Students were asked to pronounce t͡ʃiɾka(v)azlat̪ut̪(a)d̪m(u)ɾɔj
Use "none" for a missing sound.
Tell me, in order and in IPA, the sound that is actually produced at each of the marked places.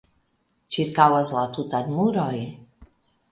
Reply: w, a, u

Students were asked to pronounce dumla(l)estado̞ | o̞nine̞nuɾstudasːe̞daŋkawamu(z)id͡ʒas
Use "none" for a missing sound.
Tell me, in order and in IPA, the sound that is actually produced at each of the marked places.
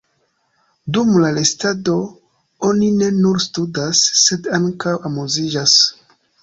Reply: l, z

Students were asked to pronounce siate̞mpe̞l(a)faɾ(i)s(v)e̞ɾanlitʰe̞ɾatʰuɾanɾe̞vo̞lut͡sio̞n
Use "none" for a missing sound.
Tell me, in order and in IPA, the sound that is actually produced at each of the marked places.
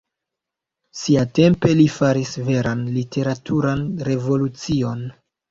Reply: i, i, v

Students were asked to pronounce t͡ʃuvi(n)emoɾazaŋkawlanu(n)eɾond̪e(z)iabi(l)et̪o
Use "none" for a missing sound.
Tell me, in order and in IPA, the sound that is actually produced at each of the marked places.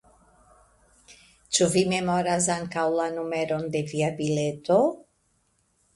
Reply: m, m, v, l

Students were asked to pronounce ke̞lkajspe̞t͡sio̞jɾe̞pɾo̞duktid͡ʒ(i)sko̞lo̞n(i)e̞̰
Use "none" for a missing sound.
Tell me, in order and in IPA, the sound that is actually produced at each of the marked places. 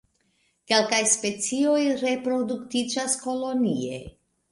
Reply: a, i

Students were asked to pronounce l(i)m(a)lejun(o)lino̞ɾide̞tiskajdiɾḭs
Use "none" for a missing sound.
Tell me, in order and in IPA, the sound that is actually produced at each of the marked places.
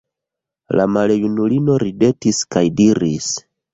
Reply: a, a, u

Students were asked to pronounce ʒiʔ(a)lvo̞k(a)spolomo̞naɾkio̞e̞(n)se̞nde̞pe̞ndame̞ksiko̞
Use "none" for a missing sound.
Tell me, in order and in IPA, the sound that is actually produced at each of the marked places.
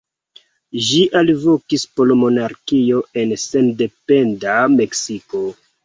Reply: a, i, n

